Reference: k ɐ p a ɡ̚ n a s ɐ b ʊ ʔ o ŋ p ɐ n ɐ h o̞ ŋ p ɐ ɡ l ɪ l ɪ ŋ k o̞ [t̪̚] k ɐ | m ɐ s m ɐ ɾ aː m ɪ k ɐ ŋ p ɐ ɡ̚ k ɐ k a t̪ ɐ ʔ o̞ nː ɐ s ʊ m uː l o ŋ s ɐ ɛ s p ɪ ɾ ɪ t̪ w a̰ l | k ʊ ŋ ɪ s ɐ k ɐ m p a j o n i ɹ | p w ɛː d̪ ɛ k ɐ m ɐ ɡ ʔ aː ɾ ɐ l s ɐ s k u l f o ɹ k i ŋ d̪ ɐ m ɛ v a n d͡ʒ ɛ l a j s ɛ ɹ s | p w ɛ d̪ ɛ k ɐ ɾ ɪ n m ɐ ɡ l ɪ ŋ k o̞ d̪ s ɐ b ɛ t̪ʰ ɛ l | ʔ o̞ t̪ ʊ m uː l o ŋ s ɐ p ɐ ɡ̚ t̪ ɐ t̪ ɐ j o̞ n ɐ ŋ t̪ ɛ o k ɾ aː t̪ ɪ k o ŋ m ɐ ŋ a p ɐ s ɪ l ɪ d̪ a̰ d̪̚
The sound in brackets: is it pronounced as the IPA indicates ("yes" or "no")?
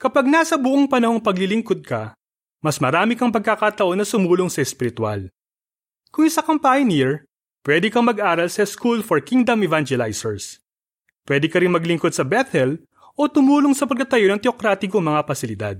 no